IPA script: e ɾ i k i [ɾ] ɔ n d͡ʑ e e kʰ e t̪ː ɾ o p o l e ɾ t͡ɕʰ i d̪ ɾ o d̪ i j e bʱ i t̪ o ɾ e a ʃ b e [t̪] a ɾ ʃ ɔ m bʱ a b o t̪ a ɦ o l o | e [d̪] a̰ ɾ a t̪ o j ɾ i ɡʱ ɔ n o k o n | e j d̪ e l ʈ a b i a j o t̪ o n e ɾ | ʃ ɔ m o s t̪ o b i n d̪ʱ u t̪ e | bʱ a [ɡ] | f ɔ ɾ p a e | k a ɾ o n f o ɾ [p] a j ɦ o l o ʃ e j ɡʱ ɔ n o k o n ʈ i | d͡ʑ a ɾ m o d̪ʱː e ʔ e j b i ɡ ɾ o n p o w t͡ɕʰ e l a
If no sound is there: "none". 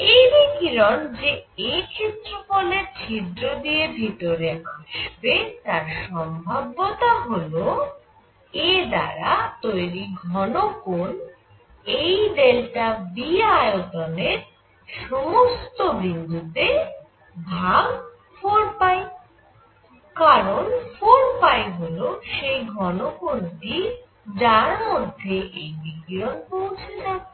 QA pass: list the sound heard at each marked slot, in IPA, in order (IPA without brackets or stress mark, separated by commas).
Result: ɾ, t̪, d̪, ɡ, p